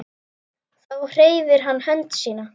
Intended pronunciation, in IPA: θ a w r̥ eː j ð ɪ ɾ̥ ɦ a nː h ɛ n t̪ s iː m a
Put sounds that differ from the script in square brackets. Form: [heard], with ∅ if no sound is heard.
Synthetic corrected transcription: θ a w r̥ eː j [v] ɪ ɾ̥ ɦ a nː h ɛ n t̪ s iː [n] a